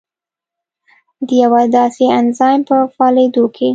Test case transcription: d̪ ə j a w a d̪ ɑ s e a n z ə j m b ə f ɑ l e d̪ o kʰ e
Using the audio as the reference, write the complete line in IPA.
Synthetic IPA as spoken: d̪ ə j a w a d̪ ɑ s e a n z ɑ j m p ə f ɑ l e d̪ o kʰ e